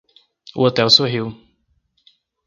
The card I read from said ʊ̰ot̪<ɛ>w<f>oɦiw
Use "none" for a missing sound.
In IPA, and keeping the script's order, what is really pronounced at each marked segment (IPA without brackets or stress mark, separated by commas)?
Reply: ɛ, s